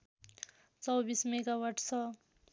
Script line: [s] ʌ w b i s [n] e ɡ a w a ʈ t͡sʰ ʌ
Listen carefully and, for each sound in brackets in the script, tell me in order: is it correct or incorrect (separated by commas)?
incorrect, incorrect